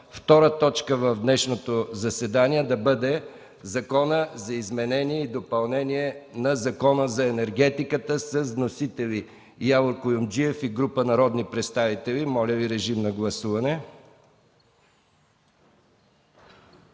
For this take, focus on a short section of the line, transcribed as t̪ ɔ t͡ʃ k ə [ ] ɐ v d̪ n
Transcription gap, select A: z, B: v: B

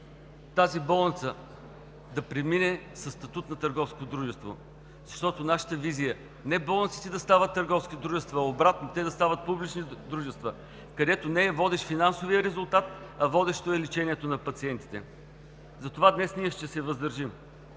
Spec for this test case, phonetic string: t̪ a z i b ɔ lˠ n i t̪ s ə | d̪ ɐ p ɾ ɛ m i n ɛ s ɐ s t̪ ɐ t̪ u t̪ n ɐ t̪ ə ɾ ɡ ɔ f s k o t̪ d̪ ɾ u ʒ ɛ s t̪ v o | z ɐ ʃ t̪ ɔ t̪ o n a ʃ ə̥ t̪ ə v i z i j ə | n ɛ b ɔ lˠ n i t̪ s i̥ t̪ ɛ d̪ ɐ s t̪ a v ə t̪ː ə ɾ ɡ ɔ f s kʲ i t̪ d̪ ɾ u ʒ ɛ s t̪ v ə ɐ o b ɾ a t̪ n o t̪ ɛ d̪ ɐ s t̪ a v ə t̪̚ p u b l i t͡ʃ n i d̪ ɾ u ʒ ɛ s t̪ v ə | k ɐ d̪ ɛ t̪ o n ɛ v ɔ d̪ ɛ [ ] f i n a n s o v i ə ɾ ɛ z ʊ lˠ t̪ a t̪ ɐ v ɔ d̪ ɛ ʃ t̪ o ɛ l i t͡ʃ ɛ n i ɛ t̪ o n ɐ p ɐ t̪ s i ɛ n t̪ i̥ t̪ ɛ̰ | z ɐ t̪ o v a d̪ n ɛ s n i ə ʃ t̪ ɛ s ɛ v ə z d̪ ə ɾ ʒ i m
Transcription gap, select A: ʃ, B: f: A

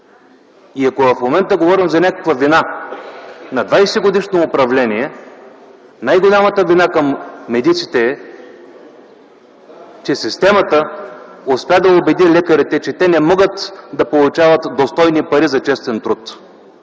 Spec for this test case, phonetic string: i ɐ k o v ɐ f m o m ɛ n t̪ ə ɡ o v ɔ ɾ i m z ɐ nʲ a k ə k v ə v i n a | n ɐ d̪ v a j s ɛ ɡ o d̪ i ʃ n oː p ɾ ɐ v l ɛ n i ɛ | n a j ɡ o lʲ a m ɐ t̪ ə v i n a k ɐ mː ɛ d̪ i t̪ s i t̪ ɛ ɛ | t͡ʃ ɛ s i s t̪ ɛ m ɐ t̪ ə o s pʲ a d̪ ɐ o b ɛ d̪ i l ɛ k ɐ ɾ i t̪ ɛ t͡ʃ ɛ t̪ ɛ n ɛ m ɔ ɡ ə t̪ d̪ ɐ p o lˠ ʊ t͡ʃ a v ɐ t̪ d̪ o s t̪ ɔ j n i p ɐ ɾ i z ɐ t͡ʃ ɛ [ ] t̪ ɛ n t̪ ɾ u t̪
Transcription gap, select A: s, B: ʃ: A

